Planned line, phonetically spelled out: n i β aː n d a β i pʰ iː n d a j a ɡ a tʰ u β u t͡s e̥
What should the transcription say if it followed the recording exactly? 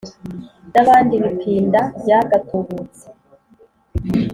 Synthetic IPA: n a β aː n d i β i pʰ iː n d a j a ɡ a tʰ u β u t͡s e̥